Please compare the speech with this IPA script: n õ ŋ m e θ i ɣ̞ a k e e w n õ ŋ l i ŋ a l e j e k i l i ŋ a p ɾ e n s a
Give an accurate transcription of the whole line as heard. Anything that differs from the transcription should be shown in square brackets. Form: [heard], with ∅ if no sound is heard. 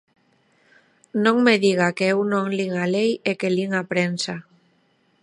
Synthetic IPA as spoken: n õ ŋ m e [ð] i ɣ̞ a k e e w n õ ŋ l i ŋ a l e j e k [e] l i ŋ a p ɾ e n s a